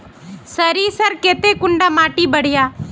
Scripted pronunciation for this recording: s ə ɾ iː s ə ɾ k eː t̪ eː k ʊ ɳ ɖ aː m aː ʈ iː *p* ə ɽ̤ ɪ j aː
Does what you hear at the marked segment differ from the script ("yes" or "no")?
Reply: yes